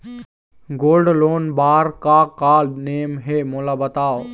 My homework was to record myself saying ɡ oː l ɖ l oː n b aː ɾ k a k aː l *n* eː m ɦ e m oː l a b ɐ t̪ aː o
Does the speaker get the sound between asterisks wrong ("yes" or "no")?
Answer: no